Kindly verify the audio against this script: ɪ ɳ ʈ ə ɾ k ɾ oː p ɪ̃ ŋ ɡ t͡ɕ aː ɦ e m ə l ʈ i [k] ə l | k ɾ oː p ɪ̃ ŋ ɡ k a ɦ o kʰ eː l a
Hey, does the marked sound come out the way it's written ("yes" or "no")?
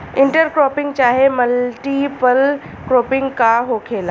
no